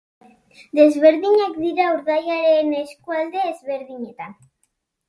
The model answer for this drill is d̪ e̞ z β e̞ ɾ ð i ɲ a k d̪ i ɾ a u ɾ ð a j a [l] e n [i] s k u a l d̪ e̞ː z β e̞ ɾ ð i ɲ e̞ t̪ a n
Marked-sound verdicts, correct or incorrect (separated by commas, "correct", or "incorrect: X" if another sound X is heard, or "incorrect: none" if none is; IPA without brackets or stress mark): incorrect: ɾ, incorrect: e